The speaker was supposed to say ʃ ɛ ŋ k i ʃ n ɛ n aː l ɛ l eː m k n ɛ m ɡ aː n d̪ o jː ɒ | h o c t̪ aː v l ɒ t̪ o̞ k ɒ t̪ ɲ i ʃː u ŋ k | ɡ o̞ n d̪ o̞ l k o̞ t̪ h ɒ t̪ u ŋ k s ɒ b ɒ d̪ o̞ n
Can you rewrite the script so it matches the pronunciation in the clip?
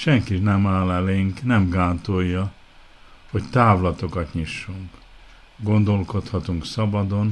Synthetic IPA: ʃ ɛ ŋ k i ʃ n ɛ m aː l ɛ l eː ŋ k n ɛ m ɡ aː n t̪ o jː ɒ | h o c t̪ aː v l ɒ t̪ o̞ k ɒ t̪ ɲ i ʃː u ŋ k | ɡ o̞ n d̪ o̞ l k o̞ t̪ h ɒ t̪ u ŋ k s ɒ b ɒ d̪ o̞ n